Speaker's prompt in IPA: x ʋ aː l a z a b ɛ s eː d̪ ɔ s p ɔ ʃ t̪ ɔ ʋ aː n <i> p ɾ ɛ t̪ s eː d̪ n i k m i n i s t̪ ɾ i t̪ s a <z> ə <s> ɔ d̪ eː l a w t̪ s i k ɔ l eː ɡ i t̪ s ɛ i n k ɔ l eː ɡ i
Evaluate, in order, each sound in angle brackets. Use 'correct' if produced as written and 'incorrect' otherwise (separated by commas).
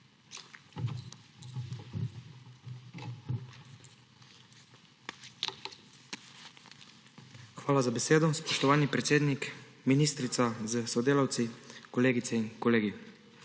correct, correct, correct